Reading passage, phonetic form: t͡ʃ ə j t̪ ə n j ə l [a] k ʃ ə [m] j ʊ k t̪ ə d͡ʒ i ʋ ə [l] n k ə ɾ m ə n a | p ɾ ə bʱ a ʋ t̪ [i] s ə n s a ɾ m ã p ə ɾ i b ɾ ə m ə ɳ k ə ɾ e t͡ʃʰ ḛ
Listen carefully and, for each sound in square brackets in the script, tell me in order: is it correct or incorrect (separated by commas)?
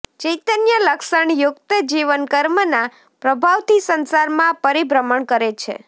incorrect, incorrect, incorrect, correct